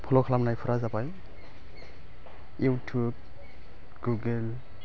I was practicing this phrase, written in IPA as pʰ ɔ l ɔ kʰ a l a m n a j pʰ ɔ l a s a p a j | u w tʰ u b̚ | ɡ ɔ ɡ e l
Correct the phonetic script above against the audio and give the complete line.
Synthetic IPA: pʰ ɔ l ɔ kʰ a l a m n a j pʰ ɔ ɾ a z a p a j | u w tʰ u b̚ | ɡ u ɡ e l